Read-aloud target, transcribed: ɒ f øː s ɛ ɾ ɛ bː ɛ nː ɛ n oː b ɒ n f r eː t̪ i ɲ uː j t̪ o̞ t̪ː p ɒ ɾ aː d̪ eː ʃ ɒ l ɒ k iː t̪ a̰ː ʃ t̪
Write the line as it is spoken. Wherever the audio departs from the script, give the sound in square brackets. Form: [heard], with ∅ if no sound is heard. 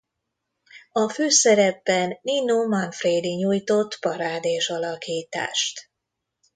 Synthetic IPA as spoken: ɒ f øː s ɛ ɾ ɛ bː ɛ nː [i] n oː [m] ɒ n f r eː [d̪] i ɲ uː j t̪ o̞ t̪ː p ɒ ɾ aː d̪ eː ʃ ɒ l ɒ k iː t̪ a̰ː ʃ t̪

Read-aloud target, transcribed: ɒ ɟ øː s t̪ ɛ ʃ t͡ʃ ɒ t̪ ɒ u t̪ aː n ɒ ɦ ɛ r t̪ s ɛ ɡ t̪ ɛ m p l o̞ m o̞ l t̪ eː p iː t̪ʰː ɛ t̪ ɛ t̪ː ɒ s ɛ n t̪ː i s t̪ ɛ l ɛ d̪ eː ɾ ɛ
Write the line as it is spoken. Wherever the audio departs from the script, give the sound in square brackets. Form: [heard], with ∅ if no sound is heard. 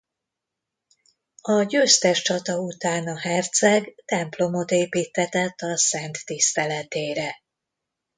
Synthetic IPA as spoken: ɒ ɟ øː s t̪ ɛ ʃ t͡ʃ ɒ t̪ ɒ u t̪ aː n ɒ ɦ ɛ r t̪ s ɛ ɡ t̪ ɛ m p l o̞ m o̞ [∅] t̪ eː p iː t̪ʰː ɛ t̪ ɛ t̪ː ɒ s ɛ n t̪ː i s t̪ ɛ l ɛ [t̪] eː ɾ ɛ

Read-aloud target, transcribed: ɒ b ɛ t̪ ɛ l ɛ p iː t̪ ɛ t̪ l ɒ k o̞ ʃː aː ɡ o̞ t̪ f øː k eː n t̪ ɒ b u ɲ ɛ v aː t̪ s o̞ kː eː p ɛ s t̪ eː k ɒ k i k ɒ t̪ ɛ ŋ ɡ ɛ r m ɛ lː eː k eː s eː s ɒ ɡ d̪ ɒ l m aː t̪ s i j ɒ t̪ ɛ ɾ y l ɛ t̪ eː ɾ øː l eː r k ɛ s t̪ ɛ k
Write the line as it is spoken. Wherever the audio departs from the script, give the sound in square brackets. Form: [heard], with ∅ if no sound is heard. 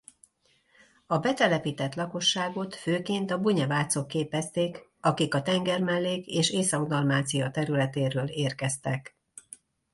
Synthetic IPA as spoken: ɒ b ɛ t̪ ɛ l ɛ p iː t̪ ɛ t̪ l ɒ k o̞ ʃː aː ɡ o̞ t̪ f øː k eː n t̪ ɒ b u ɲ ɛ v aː t̪ s o̞ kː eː p ɛ s t̪ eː k ɒ k i k ɒ t̪ ɛ ŋ ɡ ɛ r m ɛ lː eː k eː [ʃ] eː s ɒ ɡ d̪ ɒ l m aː t̪ s i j ɒ t̪ ɛ ɾ y l ɛ t̪ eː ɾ øː l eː r k ɛ s t̪ ɛ k

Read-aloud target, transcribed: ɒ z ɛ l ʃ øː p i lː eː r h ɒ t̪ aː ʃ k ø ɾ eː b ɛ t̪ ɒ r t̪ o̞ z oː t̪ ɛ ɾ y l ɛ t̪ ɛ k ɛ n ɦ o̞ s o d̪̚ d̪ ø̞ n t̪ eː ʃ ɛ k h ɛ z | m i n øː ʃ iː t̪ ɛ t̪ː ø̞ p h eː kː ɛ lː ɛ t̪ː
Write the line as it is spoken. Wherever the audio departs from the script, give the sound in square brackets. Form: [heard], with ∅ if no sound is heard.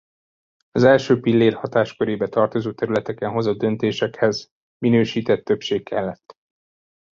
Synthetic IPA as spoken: ɒ z ɛ l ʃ øː p i lː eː r h ɒ t̪ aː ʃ k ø ɾ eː b ɛ t̪ ɒ r t̪ o̞ z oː t̪ ɛ ɾ y l ɛ t̪ ɛ k ɛ n ɦ o̞ [z] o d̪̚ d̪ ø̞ n t̪ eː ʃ ɛ k h ɛ z | m i n øː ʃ iː t̪ ɛ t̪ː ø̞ p [ʃ] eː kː ɛ lː ɛ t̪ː

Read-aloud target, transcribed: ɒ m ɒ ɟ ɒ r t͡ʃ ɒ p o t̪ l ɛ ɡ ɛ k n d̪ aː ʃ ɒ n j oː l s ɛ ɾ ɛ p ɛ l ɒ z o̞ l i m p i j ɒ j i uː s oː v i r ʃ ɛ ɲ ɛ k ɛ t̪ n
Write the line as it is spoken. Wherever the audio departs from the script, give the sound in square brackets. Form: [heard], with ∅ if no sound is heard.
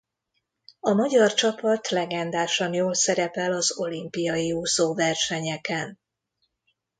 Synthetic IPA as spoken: ɒ m ɒ ɟ ɒ r t͡ʃ ɒ p [ɒ] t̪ l ɛ ɡ ɛ [∅] n d̪ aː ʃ ɒ n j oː l s ɛ ɾ ɛ p ɛ l ɒ z o̞ l i m p i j ɒ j i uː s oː v [ɛ] r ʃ ɛ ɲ ɛ k ɛ [∅] n

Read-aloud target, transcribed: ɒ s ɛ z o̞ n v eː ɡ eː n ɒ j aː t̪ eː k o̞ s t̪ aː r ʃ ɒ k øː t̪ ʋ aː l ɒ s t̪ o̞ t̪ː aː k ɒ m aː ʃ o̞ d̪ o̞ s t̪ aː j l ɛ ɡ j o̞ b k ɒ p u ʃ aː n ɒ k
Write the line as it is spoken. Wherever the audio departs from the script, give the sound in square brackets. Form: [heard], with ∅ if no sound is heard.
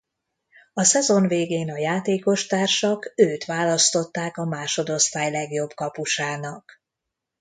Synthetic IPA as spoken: ɒ s ɛ z o̞ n v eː ɡ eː n ɒ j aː t̪ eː k o̞ [ʃ] t̪ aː r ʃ ɒ k øː t̪ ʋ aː l ɒ s t̪ o̞ t̪ː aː k ɒ m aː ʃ o̞ d̪ o̞ s t̪ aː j l ɛ ɡ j o̞ b k ɒ p u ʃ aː n ɒ k

